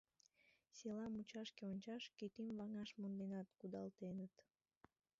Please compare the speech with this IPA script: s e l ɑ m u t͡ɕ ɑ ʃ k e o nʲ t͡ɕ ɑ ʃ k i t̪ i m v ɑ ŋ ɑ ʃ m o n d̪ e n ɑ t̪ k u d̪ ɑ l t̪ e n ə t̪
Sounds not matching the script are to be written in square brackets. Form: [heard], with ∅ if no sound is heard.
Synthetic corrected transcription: s e l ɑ m u t͡ɕ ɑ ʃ k e o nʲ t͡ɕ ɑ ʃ k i t̪ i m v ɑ ŋ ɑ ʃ m o n d̪ e n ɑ t̪ k u d̪ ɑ l t̪ e n ə t̪